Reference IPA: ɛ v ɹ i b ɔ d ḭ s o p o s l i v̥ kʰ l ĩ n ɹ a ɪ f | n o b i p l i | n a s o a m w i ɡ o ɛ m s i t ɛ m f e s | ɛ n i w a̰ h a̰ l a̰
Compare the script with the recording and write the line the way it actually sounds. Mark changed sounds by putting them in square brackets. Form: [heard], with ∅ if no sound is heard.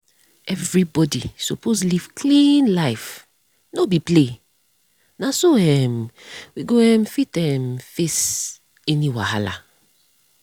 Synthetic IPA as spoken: ɛ v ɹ i b ɔ d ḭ s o p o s l i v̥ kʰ l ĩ n [l] a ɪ f | n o b i p l [e] | n a s o [ɛ] m w i ɡ o ɛ m [f] i t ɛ m f e s | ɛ n i w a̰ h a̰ l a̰

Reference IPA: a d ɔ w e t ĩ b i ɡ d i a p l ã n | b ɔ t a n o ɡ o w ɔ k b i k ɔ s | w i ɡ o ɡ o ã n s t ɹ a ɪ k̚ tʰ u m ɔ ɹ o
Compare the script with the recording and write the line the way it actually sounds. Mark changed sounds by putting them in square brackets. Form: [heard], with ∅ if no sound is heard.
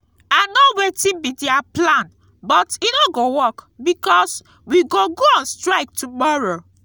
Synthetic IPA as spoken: a [n] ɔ w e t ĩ b i [∅] d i a p l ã n | b ɔ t [i] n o ɡ o w ɔ k b i k ɔ s | w i ɡ o ɡ o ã n s t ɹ a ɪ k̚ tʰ u m ɔ ɹ o

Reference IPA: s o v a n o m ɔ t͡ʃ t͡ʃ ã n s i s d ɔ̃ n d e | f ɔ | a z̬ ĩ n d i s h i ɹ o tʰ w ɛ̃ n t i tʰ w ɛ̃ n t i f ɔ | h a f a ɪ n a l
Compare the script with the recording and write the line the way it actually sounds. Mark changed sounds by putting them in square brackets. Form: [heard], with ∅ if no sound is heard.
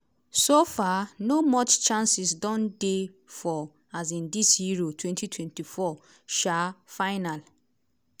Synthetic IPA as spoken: s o [f] a n o m ɔ t͡ʃ t͡ʃ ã n s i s d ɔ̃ n d e | f ɔ | a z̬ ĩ n d i s h i ɹ o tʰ w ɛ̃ n t i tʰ w ɛ̃ n t i f ɔ | [ʃ] a f a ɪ n a l

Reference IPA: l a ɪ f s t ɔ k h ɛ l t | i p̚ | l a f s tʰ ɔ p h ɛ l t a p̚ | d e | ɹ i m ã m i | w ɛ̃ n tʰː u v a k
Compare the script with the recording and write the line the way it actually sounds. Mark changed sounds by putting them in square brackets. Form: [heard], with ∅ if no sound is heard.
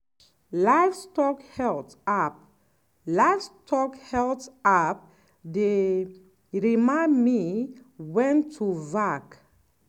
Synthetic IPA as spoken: l a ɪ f s t ɔ k h ɛ l t | [a] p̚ | l a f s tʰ ɔ [k] h ɛ l t a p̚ | d e | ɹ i m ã m i | w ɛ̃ n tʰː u v a k

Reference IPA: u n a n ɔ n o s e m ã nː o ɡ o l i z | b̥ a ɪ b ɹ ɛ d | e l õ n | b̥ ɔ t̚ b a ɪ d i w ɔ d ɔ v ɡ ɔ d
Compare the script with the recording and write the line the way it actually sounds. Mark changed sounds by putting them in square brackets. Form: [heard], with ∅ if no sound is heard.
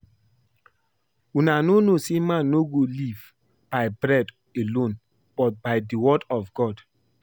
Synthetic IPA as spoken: u n a n [o] n o s e m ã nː o ɡ o l i [v] | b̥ a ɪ b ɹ ɛ d | e l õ n | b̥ ɔ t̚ b a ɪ d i w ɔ d ɔ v ɡ ɔ d

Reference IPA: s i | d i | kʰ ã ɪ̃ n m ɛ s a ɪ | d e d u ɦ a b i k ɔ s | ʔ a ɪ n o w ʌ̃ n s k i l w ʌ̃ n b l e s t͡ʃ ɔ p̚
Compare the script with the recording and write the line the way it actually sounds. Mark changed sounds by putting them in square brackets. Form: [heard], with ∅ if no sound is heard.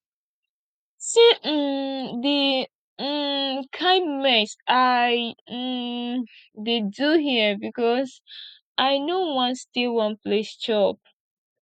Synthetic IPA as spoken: s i | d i | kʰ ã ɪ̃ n m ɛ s a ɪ | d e d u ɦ [i] b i k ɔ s | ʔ a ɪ n o w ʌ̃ n s [t] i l w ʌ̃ n [p] l e s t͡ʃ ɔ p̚

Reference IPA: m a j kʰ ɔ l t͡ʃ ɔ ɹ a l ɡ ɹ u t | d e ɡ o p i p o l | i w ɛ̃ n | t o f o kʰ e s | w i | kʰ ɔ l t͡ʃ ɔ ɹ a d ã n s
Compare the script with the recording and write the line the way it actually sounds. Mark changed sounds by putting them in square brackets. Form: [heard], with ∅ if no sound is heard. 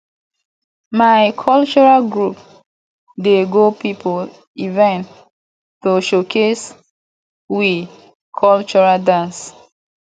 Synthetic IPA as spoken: m a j kʰ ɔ l t͡ʃ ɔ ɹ a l ɡ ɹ u [p] | d e ɡ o p i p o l | i [v] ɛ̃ n | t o [ʃ] o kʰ e s | w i | kʰ ɔ l t͡ʃ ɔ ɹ a d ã n s

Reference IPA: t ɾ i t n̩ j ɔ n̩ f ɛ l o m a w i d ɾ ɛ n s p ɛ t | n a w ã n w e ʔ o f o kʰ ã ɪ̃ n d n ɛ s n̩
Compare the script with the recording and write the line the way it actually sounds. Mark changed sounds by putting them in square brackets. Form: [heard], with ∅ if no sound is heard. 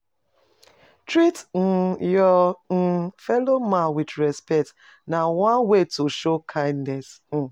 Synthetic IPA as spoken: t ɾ i t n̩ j ɔ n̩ f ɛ l o m a w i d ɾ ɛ [∅] s p ɛ t | n a w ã n w e [t] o [ʃ] o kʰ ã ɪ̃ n d n ɛ s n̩

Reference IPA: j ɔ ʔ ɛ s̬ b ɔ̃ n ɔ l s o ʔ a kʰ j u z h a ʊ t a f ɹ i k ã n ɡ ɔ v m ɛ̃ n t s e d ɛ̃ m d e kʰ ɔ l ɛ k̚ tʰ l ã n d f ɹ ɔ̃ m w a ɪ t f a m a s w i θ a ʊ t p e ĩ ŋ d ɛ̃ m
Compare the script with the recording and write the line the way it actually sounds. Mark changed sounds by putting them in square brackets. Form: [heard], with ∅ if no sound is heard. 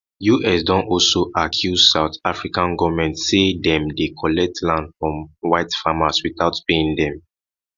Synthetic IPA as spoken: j [u] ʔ ɛ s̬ [d] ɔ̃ n ɔ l s o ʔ a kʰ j u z [s] a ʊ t a f ɹ i k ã n ɡ ɔ v m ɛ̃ n t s e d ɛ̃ m d e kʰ ɔ l ɛ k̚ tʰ l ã n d f ɹ ɔ̃ m w a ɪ t f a m a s w i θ a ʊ t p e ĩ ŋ d ɛ̃ m

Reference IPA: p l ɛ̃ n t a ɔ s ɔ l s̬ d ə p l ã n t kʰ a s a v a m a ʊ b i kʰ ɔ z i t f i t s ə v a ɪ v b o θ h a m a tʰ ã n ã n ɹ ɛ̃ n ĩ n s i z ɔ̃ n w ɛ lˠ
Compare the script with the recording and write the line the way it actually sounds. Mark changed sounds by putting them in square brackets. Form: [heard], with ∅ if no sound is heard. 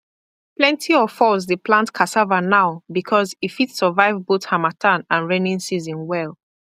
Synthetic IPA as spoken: p l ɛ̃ n t [i] ɔ [f] ɔ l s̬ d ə p l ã n t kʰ a s a v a [n] a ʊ b i kʰ ɔ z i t f i t s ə v a ɪ v b o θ h a m a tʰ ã n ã n ɹ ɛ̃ n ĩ n s i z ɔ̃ n w ɛ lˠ

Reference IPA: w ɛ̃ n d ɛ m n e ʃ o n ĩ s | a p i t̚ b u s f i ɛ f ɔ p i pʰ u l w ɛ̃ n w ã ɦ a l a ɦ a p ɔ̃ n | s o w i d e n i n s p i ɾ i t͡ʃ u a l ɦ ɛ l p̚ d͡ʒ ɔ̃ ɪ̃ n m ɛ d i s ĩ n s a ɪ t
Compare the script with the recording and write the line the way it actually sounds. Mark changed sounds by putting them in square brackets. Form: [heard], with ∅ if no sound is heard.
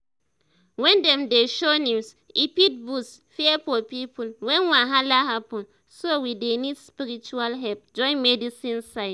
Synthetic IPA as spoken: w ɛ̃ n d ɛ m [d] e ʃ o n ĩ s | [i] p i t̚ b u s f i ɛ f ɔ p i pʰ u l w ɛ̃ n w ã ɦ a l a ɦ a p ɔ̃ n | s o w i d e n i [d] s p i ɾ i t͡ʃ u a l ɦ ɛ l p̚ d͡ʒ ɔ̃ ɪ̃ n m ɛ d i s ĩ n s a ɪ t

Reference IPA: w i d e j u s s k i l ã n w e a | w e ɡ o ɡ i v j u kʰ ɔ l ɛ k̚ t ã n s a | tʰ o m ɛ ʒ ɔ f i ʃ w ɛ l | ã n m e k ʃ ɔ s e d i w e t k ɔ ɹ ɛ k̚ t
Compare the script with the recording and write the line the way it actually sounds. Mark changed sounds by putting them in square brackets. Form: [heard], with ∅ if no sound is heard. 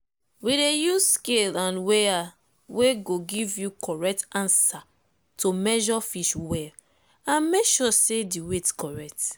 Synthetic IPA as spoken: w i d e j u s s k [e] l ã n w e a | w e ɡ o ɡ i v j u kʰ ɔ [ɹ] ɛ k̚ t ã n s a | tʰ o m ɛ ʒ ɔ f i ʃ w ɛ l | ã n m e k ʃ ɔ s e d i w e t k ɔ ɹ ɛ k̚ t

